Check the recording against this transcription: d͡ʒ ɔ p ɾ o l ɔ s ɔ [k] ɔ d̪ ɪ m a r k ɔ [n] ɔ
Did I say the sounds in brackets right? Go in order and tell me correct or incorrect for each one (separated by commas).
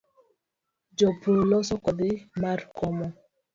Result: correct, incorrect